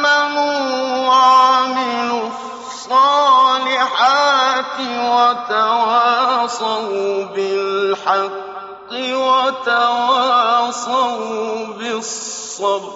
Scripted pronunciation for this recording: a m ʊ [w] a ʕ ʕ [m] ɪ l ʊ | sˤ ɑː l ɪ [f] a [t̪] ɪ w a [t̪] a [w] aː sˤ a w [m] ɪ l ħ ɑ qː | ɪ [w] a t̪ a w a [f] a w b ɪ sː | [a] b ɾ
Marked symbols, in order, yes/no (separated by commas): yes, yes, no, yes, yes, yes, no, yes, no, no